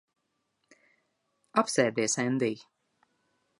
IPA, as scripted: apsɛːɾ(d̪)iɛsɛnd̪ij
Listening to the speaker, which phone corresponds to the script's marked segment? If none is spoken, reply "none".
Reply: d̪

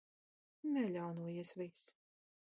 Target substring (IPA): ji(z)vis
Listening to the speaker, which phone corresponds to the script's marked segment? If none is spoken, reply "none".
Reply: s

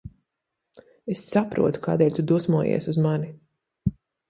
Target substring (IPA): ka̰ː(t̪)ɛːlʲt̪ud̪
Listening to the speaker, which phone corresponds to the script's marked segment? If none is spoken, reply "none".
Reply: d̪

